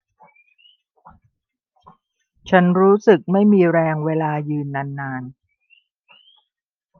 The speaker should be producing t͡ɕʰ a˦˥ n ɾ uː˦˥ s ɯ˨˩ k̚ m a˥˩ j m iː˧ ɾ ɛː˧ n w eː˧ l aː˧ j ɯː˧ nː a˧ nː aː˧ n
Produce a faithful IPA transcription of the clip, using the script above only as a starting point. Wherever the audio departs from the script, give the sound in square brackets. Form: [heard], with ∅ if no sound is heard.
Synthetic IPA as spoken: t͡ɕʰ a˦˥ n ɾ uː˦˥ s ɯ˨˩ k̚ m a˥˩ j m iː˧ ɾ ɛː˧ [ŋ] w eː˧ l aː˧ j ɯː˧ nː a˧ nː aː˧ n